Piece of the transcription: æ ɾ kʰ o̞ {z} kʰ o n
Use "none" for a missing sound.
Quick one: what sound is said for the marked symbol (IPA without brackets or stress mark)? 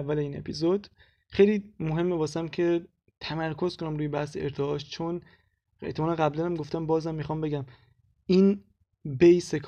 z